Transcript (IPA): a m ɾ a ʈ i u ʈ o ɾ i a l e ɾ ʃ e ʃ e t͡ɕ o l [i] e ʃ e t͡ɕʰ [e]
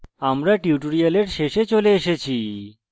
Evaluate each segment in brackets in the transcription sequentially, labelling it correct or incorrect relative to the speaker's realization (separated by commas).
incorrect, incorrect